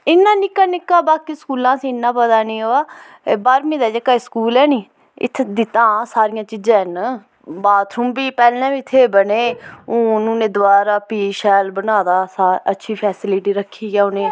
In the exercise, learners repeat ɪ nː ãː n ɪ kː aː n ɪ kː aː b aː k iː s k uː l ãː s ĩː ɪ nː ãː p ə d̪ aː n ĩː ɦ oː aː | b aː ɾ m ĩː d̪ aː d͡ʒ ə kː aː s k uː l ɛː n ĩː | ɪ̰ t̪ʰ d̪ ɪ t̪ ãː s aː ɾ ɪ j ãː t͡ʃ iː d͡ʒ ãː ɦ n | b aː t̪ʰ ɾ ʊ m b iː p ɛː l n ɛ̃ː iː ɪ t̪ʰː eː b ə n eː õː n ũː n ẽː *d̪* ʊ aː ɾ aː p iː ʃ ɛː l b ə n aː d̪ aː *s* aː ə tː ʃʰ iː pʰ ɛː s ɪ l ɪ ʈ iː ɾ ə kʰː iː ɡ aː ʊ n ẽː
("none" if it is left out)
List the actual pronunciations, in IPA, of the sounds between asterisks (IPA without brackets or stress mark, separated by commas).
d̪, s